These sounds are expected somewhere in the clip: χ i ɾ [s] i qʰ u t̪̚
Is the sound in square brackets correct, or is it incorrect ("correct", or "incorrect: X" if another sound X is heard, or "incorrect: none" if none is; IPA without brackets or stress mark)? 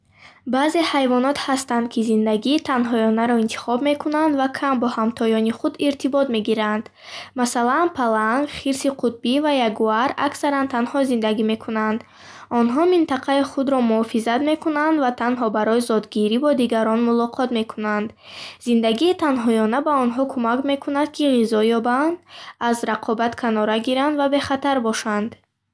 correct